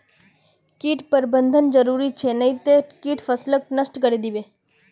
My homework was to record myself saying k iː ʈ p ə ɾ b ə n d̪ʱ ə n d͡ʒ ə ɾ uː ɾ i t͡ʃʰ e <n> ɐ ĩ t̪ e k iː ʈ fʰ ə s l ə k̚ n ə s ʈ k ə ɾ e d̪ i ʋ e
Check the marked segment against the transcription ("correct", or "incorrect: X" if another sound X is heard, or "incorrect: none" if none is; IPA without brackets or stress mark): correct